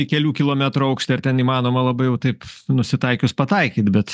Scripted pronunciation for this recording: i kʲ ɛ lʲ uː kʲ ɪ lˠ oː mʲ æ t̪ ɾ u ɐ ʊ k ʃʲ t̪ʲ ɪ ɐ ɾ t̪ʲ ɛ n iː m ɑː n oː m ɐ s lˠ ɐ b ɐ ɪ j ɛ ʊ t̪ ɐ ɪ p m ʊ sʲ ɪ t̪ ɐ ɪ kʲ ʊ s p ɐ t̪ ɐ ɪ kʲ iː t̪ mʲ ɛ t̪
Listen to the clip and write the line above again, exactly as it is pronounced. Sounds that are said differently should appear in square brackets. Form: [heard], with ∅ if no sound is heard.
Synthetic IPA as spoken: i kʲ ɛ lʲ uː kʲ ɪ lˠ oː mʲ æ t̪ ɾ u ɐ ʊ k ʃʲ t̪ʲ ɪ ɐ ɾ t̪ʲ ɛ n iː m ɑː n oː m ɐ [∅] lˠ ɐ b ɐ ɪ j ɛ ʊ t̪ ɐ ɪ p [n] ʊ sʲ ɪ t̪ ɐ ɪ kʲ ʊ s p ɐ t̪ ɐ ɪ kʲ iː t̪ [bʲ] ɛ t̪